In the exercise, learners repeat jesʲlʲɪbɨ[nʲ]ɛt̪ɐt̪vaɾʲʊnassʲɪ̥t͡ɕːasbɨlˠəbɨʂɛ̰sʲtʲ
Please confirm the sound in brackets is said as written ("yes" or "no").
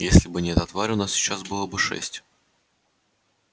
yes